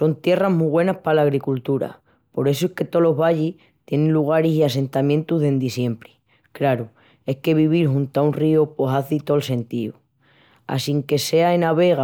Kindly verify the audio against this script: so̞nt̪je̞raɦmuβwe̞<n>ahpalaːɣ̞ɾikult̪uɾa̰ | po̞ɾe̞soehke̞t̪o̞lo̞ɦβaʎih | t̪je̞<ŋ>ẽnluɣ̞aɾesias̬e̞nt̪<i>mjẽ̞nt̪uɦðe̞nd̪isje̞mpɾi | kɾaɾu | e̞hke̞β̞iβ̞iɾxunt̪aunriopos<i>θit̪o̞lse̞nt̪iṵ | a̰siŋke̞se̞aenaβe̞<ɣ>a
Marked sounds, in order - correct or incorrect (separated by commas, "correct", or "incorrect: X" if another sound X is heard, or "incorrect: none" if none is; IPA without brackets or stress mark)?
correct, incorrect: n, incorrect: a, incorrect: a, correct